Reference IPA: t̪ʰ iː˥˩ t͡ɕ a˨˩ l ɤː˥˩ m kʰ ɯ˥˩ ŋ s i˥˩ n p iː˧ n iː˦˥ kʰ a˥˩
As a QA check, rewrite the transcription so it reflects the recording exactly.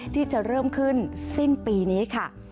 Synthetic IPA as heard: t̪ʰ iː˥˩ t͡ɕ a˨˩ ɾ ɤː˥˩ m kʰ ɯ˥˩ n s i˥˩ n p iː˧ n iː˦˥ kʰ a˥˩